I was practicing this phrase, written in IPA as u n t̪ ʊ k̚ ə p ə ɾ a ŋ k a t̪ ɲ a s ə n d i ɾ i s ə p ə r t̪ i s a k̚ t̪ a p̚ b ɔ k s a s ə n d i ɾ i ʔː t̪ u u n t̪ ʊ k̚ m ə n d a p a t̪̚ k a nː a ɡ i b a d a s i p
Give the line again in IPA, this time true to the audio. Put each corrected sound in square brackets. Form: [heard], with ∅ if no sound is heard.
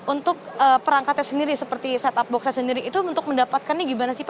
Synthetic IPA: u n t̪ ʊ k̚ ə p ə ɾ a ŋ k a t̪ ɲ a s ə n d i ɾ i s ə p ə r t̪ i s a [∅] t̪ a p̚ b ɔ k s a s ə n d i ɾ i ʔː t̪ u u n t̪ ʊ k̚ m ə n d a p a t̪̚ k a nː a ɡ i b a [n] a s i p